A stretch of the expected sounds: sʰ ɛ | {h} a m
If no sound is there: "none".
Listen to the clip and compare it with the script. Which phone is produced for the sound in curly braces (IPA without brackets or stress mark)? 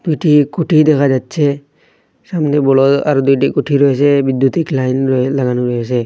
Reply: s